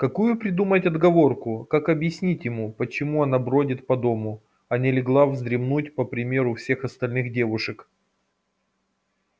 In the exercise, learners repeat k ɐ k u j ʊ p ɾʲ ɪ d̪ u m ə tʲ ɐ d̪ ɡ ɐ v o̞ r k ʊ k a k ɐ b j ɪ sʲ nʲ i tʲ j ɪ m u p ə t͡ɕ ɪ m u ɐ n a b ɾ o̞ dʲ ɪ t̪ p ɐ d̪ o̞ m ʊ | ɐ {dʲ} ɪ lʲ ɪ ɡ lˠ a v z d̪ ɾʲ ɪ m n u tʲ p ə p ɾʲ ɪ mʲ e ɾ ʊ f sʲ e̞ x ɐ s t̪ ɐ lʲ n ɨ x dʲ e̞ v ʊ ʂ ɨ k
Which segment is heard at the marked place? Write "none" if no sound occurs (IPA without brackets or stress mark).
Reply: nʲ